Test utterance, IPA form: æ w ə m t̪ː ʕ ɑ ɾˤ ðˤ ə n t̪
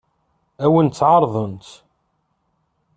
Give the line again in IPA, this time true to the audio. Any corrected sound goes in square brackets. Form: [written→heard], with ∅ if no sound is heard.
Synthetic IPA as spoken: æ w ə [m→n] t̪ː ʕ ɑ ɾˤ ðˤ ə n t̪